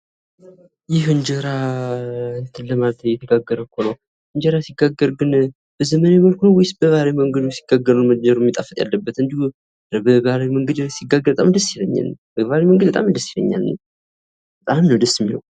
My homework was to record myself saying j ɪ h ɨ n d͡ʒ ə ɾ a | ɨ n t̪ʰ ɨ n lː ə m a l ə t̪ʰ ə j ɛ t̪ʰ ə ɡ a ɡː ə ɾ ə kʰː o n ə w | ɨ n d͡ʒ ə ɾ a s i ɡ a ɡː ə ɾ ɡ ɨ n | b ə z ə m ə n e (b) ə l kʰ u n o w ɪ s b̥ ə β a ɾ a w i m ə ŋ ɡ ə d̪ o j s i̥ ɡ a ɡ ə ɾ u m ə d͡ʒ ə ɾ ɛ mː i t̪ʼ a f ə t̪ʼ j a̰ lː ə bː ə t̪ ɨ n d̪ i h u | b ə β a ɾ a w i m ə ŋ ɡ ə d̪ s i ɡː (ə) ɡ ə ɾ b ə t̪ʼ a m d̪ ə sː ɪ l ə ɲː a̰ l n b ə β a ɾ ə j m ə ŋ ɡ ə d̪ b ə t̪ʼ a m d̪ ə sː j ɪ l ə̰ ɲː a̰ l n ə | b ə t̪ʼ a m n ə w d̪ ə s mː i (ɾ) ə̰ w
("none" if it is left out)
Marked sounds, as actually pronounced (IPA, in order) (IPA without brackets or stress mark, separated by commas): m, a, l